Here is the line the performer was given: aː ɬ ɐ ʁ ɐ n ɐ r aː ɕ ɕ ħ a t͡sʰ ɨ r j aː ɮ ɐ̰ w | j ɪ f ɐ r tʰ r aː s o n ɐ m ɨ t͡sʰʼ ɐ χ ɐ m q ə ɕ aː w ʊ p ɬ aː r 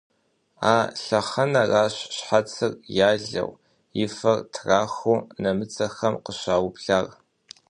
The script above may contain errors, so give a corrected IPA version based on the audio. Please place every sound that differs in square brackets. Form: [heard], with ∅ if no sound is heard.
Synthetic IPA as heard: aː ɬ ɐ [χ] ɐ n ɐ r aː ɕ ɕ ħ a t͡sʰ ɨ r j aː ɮ ɐ̰ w | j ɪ f ɐ r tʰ r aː [x] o n ɐ m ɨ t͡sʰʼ ɐ [x] ɐ m q ə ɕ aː w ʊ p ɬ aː r